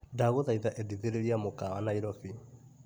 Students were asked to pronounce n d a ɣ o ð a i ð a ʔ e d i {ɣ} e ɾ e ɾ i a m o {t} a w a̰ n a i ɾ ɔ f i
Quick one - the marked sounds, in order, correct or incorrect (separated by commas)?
incorrect, incorrect